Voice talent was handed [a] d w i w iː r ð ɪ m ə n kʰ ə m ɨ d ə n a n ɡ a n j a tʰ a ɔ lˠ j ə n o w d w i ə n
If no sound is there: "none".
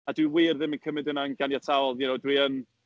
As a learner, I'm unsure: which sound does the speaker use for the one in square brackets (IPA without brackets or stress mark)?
a